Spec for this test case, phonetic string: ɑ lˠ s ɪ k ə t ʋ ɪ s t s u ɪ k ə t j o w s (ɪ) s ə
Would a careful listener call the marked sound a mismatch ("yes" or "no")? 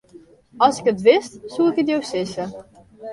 no